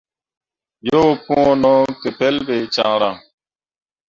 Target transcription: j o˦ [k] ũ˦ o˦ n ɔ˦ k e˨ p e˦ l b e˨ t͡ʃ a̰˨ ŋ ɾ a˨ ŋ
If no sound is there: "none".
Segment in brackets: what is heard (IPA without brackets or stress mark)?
p